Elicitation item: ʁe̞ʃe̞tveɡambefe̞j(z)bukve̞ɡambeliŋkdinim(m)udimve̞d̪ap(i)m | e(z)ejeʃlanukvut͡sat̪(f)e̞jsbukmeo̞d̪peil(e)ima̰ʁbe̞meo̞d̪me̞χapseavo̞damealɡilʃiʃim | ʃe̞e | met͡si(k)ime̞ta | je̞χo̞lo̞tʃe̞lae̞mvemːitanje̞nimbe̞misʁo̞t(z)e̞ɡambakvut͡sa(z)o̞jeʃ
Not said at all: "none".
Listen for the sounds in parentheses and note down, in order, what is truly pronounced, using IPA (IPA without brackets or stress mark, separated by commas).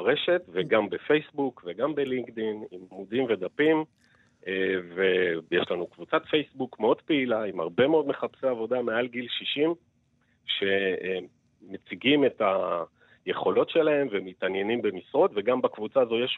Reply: s, m, i, v, f, a, ɡ, v, z